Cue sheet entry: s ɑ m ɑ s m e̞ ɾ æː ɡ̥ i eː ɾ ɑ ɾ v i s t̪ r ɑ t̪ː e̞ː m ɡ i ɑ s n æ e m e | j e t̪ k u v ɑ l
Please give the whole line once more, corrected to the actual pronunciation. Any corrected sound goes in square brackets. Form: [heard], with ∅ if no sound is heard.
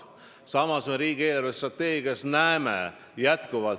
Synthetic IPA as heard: s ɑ m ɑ s m e̞ ɾ [iː] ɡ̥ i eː [l] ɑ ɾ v [e] s t̪ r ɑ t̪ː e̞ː [∅] ɡ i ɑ s n æ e m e | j [æ] t̪ k u v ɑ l